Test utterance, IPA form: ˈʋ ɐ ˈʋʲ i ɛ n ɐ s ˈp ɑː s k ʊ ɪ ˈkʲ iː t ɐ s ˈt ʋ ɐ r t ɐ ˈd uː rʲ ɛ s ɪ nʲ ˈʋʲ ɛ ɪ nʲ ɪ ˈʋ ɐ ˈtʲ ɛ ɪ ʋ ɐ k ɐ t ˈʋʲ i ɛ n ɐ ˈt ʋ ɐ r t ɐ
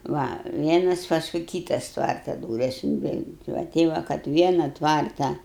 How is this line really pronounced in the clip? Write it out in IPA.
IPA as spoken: ˈʋ ɐ ˈʋʲ i ɛ n ɐ s ˈp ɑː s k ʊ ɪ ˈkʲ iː t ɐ s ˈt ʋ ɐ r t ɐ ˈd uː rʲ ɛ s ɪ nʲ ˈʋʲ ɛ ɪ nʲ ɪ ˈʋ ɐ ˈtʲ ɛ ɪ ʋ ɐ k ɐ t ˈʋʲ i ɛ n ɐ ˈt ʋ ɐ r t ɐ